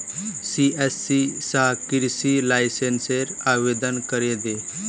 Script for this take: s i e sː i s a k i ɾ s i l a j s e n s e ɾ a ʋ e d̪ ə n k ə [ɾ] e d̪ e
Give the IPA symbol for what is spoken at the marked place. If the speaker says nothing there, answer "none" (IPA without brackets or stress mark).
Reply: ɾ